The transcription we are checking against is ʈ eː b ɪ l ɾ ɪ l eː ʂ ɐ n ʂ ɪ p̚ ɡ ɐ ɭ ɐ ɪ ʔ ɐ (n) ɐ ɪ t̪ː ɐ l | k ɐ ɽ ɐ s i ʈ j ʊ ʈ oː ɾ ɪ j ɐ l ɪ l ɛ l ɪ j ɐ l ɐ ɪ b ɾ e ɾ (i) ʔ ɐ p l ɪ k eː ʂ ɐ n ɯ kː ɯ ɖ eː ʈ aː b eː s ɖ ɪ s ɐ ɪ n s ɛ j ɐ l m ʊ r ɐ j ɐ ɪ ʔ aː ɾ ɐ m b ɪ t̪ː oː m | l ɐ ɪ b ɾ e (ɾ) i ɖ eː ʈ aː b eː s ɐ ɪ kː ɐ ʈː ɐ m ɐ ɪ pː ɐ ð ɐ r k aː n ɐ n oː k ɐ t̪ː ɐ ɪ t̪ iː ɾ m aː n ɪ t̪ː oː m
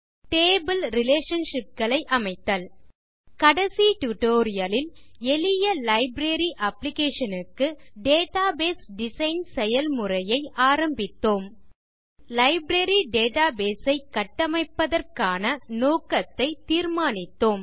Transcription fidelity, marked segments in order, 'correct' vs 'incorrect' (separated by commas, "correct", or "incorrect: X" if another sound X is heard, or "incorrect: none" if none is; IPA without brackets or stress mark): incorrect: m, correct, correct